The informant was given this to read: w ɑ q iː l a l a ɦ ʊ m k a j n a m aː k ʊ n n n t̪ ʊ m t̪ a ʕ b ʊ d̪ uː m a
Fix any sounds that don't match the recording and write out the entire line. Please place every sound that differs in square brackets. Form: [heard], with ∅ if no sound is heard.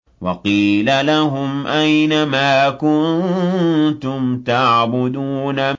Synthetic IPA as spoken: w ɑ q iː l a l a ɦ ʊ m [ʔ] a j n a m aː k ʊ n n n t̪ ʊ m t̪ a ʕ b ʊ d̪ uː [n] a